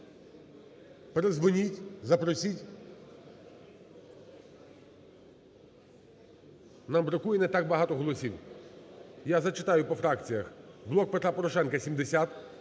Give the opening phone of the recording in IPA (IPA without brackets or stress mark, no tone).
p